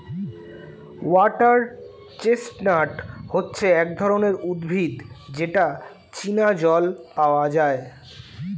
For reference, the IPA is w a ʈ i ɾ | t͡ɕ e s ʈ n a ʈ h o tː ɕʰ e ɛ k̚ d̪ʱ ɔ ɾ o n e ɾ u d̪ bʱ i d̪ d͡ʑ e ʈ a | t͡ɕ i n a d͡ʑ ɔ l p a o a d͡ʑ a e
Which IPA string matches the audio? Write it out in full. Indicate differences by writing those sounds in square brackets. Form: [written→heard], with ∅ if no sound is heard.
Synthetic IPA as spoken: w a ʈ [i→a] ɾ | t͡ɕ e s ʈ n a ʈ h o tː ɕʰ e ɛ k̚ d̪ʱ ɔ ɾ o n e ɾ u d̪ bʱ i d̪ d͡ʑ e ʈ a | t͡ɕ i n a d͡ʑ ɔ l p a o a d͡ʑ a e